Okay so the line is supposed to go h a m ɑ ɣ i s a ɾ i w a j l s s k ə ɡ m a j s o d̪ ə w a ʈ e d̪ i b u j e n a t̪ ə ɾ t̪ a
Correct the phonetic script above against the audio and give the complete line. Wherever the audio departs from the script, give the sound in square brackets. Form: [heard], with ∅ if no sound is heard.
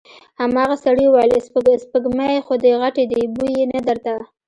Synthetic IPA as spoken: h a m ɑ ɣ [a] s a [ɽ] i w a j l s s [p] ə ɡ m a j [x] o d̪ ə [ɣ] a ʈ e d̪ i b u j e n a [d̪] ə ɾ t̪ a